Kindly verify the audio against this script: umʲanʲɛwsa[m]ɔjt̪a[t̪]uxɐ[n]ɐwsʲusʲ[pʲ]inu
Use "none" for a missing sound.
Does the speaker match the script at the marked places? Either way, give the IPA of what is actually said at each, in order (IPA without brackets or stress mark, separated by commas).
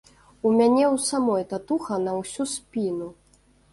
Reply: m, t̪, n, pʲ